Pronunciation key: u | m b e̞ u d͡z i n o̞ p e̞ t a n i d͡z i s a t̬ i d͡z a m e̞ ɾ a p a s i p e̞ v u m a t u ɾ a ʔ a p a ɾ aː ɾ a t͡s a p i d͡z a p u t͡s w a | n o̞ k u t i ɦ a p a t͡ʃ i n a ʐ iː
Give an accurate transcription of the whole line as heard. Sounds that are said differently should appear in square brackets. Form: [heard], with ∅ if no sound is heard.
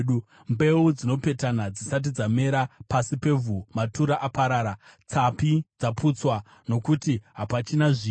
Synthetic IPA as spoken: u | m b e̞ u d͡z i n o̞ p e̞ t a n [a] d͡z i s a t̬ i d͡z a m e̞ ɾ a p a s i p e̞ v u m a t u ɾ a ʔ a p a ɾ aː ɾ a t͡s a p i d͡z a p u t͡s w a | n o̞ k u t i ɦ a p a t͡ʃ i n a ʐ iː